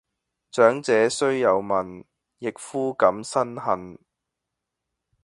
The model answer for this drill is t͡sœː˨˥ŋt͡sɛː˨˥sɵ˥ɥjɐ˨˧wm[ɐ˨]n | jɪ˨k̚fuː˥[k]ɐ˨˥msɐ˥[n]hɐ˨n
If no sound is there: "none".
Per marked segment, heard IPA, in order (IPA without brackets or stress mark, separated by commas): ɐ˨, k, n